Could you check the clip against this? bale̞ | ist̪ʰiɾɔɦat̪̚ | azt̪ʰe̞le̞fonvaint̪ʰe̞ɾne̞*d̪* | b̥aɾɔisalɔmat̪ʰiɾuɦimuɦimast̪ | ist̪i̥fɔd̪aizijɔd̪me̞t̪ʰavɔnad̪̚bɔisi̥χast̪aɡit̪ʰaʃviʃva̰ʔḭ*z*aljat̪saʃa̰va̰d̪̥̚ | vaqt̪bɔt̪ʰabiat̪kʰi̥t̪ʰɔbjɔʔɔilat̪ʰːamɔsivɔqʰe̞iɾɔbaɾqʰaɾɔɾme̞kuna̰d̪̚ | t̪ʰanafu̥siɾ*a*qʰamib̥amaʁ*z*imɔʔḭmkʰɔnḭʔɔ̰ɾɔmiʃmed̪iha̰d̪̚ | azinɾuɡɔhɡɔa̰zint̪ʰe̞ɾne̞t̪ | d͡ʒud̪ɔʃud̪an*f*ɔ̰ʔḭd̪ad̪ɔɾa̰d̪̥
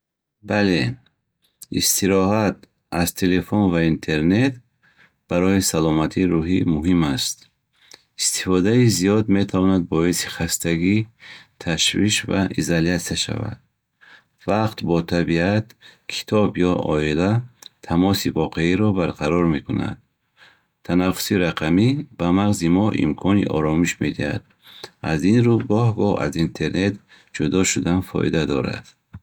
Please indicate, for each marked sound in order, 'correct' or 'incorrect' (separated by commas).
incorrect, correct, correct, correct, correct